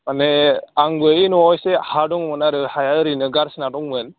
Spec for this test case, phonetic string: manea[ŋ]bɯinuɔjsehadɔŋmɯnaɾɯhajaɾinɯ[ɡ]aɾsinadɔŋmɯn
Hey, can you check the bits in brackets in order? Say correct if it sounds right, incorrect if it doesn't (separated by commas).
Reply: correct, correct